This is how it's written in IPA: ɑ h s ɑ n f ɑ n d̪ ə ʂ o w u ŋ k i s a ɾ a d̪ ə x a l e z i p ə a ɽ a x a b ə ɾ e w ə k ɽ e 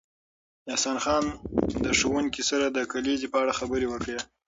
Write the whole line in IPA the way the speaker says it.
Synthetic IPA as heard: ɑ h s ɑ n x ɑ n d̪ ə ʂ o w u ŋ k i s a ɾ a d̪ ə k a l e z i p ə a ɽ a x a b ə ɾ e w ə k ɽ e